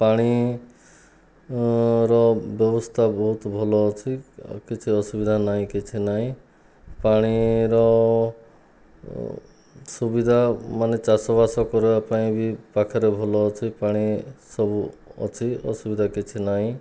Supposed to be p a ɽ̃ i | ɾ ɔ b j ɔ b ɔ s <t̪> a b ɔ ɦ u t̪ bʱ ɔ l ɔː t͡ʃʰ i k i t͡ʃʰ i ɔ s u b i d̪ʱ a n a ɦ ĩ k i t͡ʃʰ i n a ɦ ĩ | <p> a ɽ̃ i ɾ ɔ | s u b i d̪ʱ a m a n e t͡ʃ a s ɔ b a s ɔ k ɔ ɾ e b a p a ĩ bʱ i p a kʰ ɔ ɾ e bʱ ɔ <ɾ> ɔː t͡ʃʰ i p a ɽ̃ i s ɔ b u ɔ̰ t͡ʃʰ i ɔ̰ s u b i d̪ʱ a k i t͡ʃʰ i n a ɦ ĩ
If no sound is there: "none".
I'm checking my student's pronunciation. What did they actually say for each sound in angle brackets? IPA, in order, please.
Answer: t̪ʰ, p, l

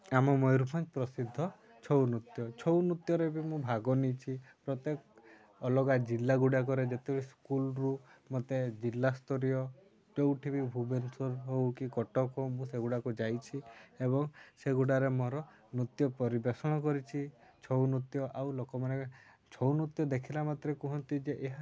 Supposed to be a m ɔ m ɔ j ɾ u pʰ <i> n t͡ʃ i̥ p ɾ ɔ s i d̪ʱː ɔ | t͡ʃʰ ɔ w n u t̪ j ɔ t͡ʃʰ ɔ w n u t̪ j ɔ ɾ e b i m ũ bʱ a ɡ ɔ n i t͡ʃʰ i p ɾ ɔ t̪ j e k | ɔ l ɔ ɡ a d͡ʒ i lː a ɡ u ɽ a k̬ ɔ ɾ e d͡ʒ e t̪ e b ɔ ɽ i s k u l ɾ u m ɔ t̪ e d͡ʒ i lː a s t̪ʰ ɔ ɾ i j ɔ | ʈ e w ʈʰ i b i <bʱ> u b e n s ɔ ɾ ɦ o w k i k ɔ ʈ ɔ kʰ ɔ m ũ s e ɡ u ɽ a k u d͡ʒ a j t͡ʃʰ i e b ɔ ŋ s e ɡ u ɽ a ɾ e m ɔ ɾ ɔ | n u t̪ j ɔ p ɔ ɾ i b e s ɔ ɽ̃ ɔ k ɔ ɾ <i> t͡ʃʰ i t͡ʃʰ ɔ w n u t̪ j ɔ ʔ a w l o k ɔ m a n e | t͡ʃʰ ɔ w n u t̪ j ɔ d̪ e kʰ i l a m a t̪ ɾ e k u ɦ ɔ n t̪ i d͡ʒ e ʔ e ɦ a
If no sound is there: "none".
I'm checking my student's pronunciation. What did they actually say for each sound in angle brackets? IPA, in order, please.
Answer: a, bʱ, i

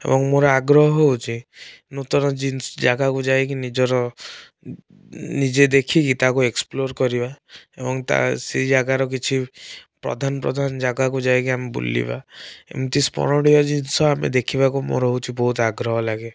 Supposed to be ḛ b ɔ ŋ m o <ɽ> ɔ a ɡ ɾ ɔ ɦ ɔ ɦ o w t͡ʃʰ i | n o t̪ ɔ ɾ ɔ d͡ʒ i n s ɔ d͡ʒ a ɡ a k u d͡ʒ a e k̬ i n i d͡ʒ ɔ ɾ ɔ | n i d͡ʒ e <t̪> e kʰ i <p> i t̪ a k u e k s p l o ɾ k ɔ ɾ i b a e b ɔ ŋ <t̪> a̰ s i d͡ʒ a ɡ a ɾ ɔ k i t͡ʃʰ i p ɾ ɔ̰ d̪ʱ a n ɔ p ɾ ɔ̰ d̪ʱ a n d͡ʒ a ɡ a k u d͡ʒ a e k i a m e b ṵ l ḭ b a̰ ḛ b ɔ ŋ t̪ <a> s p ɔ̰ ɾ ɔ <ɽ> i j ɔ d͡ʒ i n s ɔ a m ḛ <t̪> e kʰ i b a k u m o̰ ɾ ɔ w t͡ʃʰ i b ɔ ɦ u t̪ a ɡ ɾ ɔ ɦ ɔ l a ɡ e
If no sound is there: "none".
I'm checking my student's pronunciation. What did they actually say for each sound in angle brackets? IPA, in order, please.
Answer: ɾ, d̪, k, t̪, i, ɽ, d̪

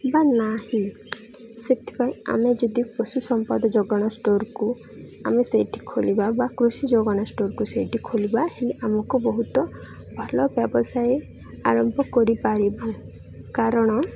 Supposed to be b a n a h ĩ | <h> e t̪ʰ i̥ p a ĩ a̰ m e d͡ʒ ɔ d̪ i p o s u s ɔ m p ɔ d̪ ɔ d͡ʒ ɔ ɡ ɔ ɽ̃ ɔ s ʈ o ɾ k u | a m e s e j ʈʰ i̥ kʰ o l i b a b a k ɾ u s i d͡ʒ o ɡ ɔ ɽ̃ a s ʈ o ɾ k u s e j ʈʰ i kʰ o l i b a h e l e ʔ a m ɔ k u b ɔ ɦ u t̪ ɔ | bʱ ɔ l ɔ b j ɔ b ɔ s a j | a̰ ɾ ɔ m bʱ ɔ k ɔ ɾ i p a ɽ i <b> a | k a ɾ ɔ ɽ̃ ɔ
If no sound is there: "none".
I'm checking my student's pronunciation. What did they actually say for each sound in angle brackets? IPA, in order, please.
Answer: s, b

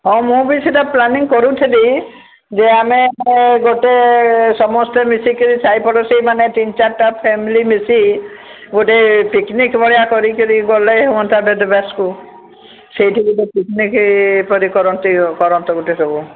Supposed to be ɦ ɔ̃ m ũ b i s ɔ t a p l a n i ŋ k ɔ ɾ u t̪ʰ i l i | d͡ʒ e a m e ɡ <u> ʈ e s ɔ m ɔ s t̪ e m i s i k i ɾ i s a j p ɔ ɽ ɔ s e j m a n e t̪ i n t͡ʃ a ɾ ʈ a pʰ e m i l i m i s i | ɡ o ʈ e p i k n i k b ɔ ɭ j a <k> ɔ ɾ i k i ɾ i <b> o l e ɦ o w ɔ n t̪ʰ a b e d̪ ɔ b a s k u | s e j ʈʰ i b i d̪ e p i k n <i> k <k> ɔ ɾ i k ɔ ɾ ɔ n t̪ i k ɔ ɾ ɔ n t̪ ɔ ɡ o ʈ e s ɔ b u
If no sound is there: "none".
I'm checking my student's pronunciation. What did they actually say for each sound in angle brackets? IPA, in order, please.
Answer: o, k, ɡ, i, p

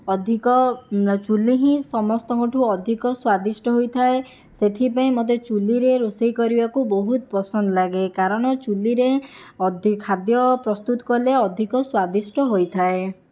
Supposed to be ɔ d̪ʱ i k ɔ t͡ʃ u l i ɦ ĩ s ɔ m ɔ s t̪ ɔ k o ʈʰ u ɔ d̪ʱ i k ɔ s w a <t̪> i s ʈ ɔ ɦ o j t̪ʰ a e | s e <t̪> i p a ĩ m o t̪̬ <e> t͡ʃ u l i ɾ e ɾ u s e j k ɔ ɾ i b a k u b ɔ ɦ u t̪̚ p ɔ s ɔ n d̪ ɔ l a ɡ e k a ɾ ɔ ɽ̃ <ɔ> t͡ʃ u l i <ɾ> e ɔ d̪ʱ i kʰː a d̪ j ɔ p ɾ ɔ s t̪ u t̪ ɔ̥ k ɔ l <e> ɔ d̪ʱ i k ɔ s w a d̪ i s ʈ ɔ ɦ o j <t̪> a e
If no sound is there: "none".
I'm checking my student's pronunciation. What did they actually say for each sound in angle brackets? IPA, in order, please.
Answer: d̪, t̪ʰ, e, ɔ, ɾ, e, t̪ʰ

